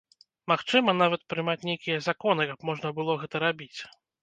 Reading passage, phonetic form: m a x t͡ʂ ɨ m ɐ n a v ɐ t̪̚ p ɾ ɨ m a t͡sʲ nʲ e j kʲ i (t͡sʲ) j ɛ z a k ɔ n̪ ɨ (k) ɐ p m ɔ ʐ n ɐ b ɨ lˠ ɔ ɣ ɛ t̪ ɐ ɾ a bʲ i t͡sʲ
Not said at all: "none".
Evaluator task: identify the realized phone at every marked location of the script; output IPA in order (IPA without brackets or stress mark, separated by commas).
none, k